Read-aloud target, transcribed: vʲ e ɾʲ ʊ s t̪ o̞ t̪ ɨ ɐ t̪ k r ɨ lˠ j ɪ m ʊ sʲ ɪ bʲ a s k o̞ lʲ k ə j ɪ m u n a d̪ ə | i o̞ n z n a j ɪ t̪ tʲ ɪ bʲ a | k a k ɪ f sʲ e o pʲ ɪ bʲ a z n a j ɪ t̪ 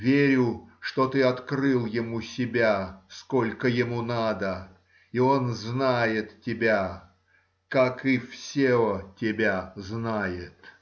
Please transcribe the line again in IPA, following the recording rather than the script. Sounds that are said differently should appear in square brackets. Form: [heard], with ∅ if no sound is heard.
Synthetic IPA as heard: vʲ e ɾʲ ʊ [ʂ] t̪ o̞ t̪ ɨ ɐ t̪ k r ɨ lˠ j ɪ m [u] sʲ ɪ bʲ a s k o̞ lʲ k ə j ɪ m u n a d̪ ə | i o̞ n z n a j ɪ t̪ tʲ ɪ bʲ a | k a k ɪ f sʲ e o [tʲ] ɪ bʲ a z n a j ɪ t̪